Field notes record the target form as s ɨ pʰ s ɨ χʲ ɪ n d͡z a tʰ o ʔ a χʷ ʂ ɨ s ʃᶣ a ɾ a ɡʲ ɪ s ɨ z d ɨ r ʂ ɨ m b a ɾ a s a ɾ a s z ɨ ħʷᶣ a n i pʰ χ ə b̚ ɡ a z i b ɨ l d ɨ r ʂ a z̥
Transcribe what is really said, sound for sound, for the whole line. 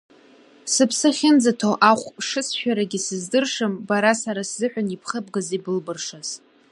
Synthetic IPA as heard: s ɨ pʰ s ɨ χʲ ɪ n d͡z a tʰ o ʔ a χʷ ʂ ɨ s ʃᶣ a ɾ a ɡʲ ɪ s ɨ z d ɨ r ʂ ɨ m b a ɾ a s a ɾ a s z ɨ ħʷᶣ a n i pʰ χ ə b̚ ɡ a z i b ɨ l b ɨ r ʂ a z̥